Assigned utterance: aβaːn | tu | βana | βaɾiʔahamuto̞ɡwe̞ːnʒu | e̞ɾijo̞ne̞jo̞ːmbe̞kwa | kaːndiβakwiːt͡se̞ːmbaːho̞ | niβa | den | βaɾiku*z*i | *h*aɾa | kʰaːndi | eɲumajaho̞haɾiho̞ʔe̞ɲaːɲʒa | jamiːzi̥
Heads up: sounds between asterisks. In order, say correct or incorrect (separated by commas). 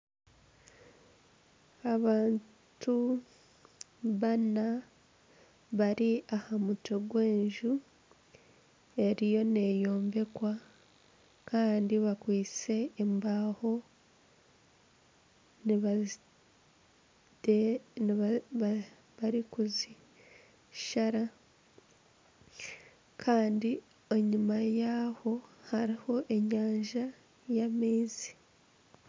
correct, incorrect